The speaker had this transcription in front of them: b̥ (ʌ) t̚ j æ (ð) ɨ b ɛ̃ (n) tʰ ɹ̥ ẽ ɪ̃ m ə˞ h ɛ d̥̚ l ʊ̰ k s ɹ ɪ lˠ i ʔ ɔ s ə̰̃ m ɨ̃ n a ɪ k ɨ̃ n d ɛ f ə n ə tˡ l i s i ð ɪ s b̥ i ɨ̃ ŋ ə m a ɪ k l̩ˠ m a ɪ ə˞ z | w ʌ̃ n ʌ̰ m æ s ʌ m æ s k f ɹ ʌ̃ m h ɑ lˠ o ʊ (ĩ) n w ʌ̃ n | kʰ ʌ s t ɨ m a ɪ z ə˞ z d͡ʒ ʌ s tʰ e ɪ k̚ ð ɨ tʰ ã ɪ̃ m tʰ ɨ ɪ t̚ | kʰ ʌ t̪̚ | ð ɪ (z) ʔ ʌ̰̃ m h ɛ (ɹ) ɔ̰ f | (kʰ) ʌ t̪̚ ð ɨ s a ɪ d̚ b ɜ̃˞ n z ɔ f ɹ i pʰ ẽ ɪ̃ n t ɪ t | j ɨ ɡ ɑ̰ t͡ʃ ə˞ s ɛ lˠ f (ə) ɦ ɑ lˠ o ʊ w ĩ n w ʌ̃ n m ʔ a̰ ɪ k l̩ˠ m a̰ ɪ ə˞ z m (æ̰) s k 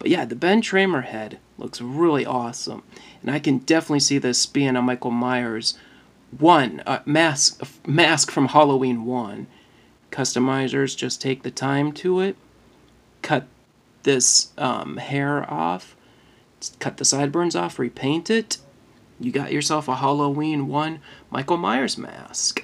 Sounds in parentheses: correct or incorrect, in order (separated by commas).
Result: correct, correct, correct, correct, incorrect, correct, correct, correct, correct